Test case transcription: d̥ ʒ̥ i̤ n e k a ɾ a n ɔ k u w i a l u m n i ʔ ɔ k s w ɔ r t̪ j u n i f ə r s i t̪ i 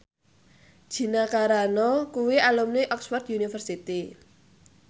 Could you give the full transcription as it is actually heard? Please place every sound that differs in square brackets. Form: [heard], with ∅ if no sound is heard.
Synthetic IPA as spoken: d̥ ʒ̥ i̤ n [a] k a ɾ a n ɔ k u w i a l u m n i ʔ ɔ k s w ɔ r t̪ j u n i f ə r s i t̪ i